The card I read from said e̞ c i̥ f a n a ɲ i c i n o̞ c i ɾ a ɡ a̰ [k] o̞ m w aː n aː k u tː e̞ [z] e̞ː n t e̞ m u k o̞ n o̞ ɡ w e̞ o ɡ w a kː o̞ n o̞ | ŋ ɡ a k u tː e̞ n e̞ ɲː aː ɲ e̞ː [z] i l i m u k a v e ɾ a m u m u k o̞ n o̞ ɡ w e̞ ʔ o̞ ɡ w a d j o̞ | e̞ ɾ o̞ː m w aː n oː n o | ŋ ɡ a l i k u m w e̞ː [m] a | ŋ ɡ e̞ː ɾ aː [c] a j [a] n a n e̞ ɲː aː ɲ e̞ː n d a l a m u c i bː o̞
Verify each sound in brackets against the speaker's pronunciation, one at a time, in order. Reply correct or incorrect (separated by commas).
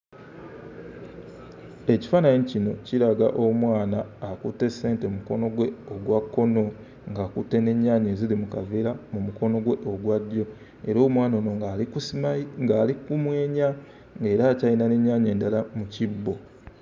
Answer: incorrect, incorrect, correct, incorrect, correct, incorrect